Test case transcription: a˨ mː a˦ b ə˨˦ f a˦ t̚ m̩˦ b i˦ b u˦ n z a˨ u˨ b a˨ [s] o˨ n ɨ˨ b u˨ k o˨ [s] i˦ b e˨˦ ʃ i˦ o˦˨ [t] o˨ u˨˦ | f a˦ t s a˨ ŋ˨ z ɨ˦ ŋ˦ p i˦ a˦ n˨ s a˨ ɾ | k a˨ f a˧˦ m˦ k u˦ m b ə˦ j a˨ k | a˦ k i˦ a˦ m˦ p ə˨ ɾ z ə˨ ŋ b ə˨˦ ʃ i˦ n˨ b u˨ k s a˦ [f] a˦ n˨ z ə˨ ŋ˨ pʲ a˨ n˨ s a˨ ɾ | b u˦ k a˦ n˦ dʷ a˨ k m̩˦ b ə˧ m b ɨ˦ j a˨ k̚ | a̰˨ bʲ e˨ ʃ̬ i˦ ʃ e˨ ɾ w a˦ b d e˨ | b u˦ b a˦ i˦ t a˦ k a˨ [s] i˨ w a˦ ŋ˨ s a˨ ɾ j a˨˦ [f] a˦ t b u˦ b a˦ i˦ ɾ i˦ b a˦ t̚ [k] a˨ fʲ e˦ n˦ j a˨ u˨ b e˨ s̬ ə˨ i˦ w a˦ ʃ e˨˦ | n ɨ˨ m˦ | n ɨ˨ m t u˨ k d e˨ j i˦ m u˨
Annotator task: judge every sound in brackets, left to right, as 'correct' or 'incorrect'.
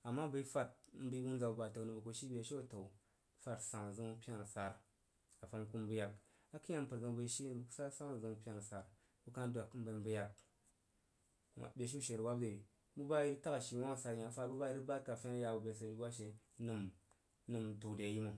incorrect, incorrect, correct, incorrect, incorrect, correct, correct

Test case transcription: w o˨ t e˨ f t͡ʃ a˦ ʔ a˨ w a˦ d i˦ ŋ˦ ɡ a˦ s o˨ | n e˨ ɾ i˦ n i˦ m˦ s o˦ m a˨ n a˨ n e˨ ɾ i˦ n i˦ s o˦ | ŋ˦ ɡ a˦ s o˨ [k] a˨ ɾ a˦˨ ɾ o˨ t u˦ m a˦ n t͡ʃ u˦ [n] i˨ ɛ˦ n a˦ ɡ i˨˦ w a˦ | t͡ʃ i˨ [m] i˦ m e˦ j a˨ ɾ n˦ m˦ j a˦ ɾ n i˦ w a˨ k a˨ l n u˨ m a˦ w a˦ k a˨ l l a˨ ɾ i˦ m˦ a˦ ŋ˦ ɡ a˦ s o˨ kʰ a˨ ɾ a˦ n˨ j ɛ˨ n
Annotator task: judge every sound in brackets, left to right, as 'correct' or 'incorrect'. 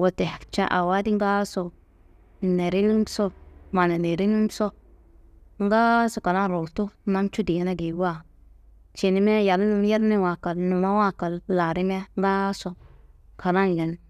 correct, incorrect, incorrect

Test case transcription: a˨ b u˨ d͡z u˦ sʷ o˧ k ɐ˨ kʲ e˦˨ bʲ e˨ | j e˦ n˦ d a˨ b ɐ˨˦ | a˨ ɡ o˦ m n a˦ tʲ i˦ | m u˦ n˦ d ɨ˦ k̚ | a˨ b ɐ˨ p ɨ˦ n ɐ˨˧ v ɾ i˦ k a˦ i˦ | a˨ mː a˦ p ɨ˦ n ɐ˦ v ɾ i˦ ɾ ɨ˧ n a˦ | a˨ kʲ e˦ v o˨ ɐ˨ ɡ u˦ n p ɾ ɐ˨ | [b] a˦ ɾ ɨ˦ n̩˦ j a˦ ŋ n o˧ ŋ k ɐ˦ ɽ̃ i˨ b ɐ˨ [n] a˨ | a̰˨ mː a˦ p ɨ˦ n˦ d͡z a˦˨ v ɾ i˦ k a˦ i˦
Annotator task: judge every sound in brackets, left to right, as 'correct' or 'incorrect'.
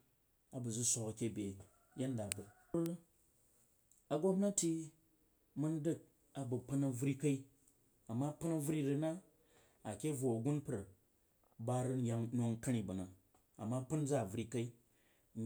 correct, correct

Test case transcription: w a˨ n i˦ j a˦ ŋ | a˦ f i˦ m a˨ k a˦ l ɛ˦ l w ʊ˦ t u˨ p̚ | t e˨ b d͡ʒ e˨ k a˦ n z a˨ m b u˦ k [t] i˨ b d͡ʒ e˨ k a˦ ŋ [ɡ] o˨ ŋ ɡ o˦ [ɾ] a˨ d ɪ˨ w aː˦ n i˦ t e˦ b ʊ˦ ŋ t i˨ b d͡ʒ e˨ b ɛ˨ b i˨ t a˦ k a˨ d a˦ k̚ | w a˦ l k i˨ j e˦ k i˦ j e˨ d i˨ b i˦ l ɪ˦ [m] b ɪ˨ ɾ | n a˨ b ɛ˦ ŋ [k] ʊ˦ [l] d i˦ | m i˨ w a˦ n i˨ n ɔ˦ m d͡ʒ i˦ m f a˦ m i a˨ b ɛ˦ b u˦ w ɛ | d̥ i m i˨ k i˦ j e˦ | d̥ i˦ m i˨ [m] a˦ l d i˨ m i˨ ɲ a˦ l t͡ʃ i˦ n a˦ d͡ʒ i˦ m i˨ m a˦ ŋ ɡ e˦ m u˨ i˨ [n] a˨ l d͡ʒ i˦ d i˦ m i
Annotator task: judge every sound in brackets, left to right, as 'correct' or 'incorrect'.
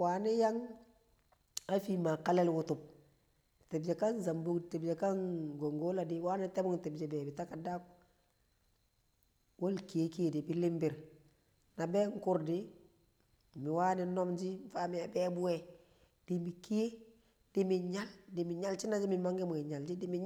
correct, correct, incorrect, correct, correct, incorrect, incorrect, incorrect

